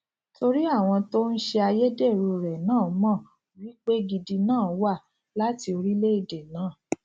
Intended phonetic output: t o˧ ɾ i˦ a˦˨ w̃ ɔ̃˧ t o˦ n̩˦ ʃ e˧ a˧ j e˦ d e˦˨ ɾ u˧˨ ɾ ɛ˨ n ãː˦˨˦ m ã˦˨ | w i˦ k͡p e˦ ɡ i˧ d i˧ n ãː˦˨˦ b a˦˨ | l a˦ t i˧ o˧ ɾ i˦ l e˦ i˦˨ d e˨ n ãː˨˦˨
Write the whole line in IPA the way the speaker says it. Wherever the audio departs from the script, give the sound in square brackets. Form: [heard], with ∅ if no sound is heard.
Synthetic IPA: t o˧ ɾ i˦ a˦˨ w̃ ɔ̃˧ t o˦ n̩˦ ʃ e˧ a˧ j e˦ d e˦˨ ɾ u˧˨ ɾ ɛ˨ n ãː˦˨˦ m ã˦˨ | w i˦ k͡p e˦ ɡ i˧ d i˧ n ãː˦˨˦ [w] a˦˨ | l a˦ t i˧ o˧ ɾ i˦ l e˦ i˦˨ d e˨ n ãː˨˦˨